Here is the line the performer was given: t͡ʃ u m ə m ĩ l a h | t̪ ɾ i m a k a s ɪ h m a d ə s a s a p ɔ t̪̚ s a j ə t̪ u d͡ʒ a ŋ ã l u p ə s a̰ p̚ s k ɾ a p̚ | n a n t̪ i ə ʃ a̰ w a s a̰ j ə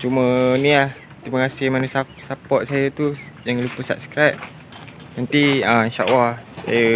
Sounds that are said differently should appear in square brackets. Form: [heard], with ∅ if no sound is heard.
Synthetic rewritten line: t͡ʃ u m ə [n] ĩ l a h | t̪ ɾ i m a k a s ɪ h m a [n] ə s a s a p ɔ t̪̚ s a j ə t̪ u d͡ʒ a ŋ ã l u p ə s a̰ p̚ s k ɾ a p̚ | n a n t̪ i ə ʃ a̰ w a s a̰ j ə